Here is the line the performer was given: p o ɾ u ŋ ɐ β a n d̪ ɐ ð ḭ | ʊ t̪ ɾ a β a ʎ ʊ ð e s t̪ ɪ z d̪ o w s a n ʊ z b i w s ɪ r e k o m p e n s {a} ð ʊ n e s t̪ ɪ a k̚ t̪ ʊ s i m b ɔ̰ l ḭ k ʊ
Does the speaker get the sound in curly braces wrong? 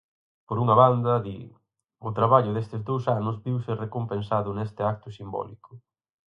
no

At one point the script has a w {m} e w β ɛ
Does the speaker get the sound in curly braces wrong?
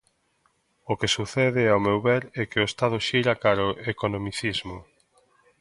no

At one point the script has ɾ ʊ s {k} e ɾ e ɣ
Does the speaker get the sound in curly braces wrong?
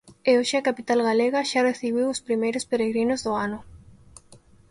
yes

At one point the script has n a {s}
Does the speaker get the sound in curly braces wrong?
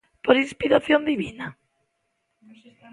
yes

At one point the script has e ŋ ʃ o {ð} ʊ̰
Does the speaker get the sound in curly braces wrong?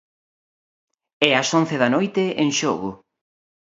yes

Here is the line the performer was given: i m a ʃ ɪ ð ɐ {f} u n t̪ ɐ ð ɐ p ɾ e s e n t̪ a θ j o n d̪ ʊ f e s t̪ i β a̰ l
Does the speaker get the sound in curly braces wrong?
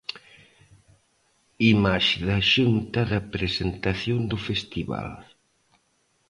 yes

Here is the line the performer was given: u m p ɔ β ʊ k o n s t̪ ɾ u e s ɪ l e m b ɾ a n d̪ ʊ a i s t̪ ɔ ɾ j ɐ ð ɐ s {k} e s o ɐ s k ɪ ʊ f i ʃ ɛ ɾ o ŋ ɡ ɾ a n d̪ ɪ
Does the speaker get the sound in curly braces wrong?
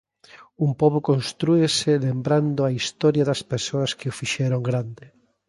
yes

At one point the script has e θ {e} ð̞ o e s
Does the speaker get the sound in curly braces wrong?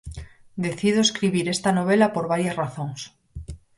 yes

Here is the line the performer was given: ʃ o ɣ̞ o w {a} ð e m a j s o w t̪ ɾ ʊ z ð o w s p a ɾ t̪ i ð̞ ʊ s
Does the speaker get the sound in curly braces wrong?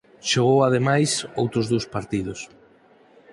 no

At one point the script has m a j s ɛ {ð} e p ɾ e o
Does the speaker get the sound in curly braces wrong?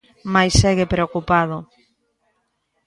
yes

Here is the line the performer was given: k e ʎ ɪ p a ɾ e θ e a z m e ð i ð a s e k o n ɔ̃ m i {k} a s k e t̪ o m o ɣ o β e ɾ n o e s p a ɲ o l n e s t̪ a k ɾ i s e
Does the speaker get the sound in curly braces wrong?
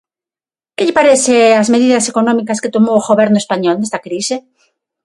no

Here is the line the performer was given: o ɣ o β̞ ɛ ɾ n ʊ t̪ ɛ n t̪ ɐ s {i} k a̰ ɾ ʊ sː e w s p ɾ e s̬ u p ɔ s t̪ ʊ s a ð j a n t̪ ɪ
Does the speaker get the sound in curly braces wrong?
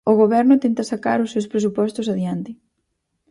yes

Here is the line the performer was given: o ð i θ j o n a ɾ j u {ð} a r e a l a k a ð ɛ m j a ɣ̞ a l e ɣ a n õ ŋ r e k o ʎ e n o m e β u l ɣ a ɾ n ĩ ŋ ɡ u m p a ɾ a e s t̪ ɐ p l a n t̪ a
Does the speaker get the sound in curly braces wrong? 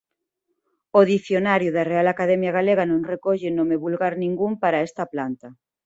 no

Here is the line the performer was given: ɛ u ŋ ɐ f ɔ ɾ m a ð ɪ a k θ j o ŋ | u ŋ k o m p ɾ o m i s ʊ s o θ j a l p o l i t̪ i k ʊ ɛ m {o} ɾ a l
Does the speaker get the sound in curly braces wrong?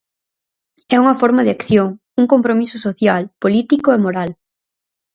no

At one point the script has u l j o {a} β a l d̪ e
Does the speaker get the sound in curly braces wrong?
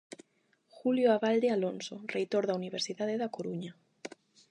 no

